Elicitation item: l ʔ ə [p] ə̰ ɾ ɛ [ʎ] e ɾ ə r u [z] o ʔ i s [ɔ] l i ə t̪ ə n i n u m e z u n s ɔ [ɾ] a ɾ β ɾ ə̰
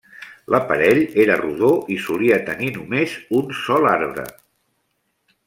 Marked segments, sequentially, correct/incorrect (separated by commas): correct, correct, incorrect, incorrect, incorrect